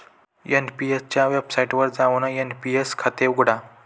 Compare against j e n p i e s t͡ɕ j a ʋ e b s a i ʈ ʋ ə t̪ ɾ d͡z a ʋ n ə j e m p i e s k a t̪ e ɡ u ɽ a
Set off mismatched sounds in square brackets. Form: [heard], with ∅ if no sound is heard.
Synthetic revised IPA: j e n p i e s t͡ɕ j a ʋ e b s a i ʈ ʋ ə [∅] ɾ d͡z a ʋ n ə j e [n] p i e s [kʰ] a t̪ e ɡ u ɽ a